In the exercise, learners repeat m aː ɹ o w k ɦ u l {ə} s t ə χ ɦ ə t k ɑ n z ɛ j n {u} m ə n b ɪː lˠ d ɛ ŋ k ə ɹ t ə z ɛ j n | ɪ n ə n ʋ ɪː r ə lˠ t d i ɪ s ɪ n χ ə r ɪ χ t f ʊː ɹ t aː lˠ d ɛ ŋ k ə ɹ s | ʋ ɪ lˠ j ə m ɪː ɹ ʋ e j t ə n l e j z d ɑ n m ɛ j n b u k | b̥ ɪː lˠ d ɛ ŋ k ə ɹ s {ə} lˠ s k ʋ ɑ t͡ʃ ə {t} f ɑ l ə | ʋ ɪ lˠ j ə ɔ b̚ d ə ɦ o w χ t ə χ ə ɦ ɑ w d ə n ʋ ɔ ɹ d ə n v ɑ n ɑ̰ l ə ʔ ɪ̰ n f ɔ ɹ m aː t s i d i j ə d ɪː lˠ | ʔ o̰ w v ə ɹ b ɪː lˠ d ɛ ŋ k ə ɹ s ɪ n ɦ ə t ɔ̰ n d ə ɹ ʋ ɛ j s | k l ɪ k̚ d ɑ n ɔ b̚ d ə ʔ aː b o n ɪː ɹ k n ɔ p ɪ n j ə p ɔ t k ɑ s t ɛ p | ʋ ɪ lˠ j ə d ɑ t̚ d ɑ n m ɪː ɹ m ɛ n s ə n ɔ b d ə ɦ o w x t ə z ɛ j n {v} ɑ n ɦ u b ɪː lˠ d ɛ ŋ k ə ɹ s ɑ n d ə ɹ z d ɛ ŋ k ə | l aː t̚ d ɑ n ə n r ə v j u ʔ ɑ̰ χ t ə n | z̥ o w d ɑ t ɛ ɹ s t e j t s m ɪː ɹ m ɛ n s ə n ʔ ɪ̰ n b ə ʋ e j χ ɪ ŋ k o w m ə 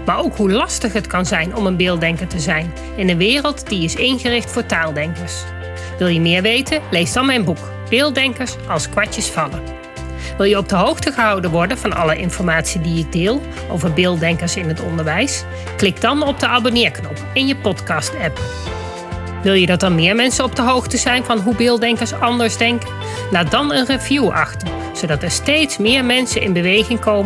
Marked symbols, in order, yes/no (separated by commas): no, no, no, no, yes